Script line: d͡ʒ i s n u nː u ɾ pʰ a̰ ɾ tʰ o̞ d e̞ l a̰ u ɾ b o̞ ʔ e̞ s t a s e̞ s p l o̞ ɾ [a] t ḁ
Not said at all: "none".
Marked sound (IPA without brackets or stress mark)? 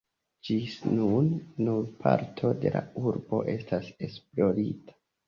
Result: i